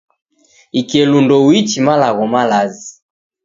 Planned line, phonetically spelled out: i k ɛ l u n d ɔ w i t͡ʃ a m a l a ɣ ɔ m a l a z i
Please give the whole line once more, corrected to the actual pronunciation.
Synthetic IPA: i k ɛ l u n d ɔ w i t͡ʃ i m a l a ɣ ɔ m a l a z i